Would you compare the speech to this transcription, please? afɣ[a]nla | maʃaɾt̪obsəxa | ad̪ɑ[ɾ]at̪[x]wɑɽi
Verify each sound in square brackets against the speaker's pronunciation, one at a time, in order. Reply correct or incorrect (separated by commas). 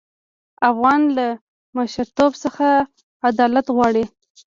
incorrect, incorrect, incorrect